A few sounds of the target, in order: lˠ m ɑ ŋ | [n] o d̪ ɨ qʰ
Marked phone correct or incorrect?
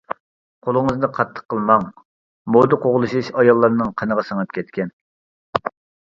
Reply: incorrect